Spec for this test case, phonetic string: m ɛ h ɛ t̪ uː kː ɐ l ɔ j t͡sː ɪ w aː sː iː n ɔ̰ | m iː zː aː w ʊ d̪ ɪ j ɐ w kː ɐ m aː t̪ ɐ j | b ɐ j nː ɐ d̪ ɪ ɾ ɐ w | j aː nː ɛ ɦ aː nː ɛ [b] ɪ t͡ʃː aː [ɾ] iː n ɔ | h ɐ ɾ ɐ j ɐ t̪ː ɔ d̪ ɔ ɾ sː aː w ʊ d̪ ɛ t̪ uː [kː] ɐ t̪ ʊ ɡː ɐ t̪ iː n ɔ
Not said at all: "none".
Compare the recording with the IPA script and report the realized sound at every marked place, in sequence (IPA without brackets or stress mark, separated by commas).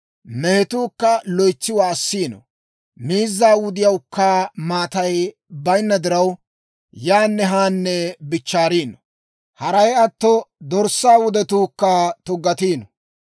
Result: b, ɾ, kː